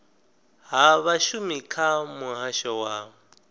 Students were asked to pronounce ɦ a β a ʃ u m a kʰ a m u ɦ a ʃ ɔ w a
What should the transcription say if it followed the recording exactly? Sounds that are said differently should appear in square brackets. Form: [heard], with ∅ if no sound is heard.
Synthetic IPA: ɦ a β a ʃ u m [i] kʰ a m u ɦ a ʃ ɔ w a